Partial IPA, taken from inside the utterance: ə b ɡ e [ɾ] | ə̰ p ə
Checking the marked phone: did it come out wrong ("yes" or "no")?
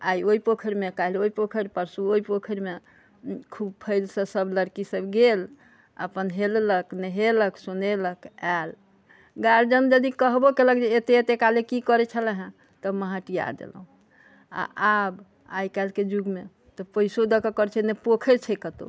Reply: yes